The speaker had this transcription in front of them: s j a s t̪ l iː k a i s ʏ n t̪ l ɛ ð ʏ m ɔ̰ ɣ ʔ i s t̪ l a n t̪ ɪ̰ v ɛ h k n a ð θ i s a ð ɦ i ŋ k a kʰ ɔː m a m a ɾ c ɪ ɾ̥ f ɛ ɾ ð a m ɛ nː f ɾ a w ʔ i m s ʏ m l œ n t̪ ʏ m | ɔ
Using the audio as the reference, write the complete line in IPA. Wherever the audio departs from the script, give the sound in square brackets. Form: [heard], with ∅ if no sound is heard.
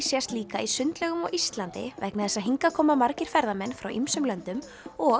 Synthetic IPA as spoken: s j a s t̪ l iː k a i s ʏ n t̪ l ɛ [ɣ] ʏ m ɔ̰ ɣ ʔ i s t̪ l a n t̪ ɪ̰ v ɛ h k n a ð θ [ɛ] s a ð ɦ i ŋ k a kʰ ɔː m a m a ɾ c ɪ ɾ̥ f ɛ ɾ ð a m ɛ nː f ɾ a w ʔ i m s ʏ m l œ n t̪ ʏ m | ɔ